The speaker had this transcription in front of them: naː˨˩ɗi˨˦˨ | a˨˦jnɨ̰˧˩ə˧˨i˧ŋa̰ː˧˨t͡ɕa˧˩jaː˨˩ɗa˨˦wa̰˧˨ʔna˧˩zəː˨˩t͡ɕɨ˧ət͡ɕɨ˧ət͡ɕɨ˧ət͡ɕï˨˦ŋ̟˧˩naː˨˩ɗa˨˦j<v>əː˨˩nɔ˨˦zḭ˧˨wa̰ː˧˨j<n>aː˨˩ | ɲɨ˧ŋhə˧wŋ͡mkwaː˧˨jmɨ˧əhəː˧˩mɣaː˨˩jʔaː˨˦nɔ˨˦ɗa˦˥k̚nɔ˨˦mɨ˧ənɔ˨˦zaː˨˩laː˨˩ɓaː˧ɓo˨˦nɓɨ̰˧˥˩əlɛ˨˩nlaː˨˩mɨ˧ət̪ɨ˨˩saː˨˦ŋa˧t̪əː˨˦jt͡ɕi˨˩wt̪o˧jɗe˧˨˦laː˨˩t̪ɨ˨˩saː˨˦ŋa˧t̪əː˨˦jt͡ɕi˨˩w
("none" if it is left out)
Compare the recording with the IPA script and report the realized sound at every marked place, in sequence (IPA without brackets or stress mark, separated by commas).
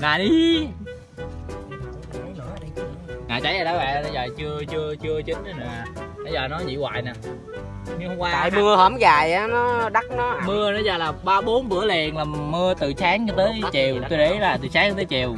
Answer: z, n